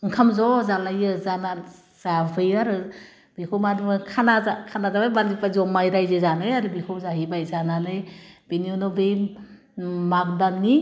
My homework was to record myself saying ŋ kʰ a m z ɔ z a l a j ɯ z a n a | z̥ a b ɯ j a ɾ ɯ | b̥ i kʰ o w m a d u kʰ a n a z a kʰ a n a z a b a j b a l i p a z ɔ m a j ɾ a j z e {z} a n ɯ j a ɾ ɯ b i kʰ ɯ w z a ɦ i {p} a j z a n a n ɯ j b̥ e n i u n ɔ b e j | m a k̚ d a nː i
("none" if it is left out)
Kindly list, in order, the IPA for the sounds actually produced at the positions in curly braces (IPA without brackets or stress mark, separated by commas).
z, b